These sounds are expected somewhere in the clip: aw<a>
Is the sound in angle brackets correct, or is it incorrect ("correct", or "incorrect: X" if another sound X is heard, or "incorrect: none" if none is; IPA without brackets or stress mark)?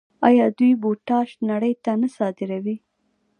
incorrect: i